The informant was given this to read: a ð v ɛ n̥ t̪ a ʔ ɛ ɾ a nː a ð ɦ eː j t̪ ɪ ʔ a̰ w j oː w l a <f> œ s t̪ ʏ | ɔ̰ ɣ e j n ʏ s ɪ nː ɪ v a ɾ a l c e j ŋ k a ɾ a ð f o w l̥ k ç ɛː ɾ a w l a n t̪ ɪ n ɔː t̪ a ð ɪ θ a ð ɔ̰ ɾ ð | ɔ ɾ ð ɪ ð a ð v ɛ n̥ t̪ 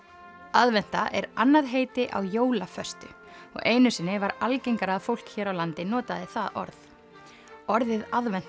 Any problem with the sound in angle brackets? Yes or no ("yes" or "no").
no